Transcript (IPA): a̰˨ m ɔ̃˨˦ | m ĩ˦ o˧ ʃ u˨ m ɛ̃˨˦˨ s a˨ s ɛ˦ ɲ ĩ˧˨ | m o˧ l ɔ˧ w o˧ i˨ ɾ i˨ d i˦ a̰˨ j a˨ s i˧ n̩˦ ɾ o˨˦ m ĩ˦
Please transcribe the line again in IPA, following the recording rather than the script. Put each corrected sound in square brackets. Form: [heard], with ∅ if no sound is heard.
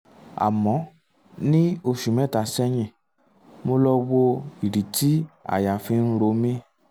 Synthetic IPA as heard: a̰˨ m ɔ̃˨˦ | [n] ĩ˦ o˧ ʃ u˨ m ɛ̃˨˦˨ [t] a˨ s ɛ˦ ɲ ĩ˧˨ | m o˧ l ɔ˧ w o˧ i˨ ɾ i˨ [t] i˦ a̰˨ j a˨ [f] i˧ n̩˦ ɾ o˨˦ m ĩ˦